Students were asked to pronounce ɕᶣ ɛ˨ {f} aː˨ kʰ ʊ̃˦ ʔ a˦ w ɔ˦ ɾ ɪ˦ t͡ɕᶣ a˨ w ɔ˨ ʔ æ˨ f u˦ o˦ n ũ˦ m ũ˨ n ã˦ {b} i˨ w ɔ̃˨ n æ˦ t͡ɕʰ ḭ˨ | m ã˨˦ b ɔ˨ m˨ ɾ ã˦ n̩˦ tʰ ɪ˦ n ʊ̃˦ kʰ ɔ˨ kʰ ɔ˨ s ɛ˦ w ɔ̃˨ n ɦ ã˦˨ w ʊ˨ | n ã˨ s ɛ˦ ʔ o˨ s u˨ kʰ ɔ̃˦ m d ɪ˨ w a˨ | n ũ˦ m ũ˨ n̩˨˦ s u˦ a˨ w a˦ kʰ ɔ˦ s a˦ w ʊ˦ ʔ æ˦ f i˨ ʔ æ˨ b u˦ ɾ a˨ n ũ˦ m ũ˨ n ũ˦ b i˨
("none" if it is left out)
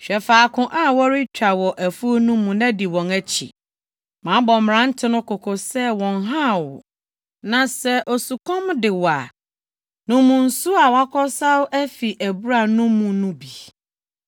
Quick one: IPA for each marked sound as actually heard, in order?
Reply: f, d

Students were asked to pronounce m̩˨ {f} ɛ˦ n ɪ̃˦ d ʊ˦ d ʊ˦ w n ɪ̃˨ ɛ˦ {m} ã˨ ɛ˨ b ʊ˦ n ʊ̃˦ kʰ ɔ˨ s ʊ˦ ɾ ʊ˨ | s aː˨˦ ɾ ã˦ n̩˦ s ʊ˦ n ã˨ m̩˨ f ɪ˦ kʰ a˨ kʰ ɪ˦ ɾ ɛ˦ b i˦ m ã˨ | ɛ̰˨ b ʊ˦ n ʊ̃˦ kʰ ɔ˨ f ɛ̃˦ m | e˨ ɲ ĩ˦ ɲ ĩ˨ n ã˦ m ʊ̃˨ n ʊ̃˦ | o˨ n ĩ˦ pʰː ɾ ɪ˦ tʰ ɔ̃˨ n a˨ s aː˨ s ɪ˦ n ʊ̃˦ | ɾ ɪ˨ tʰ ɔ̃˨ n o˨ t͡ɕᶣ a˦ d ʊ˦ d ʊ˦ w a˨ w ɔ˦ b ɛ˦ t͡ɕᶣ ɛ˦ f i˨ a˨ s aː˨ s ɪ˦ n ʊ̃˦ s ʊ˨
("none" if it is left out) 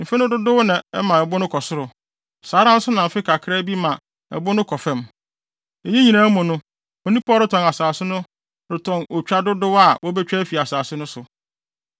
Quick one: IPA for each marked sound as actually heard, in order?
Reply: f, m

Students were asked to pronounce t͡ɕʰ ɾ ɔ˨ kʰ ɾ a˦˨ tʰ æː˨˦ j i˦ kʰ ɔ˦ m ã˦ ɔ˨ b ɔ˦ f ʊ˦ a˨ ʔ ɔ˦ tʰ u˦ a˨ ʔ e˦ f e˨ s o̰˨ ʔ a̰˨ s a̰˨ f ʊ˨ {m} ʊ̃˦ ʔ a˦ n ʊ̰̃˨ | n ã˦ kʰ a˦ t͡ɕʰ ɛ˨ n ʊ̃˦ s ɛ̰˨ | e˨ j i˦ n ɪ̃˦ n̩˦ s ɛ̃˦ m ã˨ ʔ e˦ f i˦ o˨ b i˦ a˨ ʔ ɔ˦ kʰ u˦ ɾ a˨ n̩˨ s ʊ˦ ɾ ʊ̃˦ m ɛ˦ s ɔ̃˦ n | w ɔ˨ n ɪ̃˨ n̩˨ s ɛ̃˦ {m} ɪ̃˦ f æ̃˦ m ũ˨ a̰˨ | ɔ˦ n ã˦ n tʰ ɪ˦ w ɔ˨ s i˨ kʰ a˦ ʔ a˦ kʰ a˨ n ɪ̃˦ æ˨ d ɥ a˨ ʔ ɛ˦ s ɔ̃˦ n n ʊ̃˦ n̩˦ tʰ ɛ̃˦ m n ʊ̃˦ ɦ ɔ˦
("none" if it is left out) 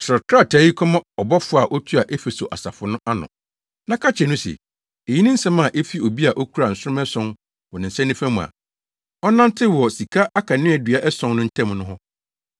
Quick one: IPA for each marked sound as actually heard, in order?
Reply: n, n

